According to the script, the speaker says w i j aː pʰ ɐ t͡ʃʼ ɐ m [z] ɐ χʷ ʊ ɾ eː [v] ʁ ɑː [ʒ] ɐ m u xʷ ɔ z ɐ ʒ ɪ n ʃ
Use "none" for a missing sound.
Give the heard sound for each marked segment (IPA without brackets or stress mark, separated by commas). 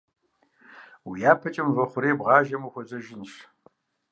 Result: v, b, ʒ